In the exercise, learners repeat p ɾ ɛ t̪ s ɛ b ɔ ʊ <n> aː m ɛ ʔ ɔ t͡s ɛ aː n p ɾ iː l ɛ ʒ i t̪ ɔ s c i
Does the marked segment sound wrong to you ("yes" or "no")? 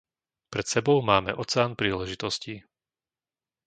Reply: yes